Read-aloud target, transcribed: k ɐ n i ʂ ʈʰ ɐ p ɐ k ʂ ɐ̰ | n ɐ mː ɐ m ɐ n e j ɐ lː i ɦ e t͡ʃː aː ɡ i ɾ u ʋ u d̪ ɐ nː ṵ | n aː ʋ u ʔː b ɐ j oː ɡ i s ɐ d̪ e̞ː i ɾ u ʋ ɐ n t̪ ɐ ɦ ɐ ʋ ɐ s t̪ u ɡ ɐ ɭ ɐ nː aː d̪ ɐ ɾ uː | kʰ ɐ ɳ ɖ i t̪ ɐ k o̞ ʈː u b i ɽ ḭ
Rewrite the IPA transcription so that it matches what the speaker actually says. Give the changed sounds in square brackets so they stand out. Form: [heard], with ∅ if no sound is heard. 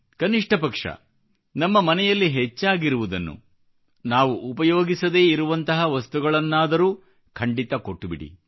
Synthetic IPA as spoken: k ɐ n i ʂ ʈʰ ɐ p ɐ k ʂ ɐ̰ | n ɐ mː ɐ m ɐ n [ɛ] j ɐ lː i ɦ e t͡ʃː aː ɡ i ɾ u ʋ u d̪ ɐ nː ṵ | n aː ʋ u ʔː [p] ɐ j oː ɡ i s ɐ d̪ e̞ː i ɾ u ʋ ɐ n t̪ ɐ ɦ ɐ ʋ ɐ s t̪ u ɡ ɐ ɭ ɐ nː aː d̪ ɐ ɾ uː | kʰ ɐ ɳ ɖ i t̪ ɐ k o̞ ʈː u b i ɽ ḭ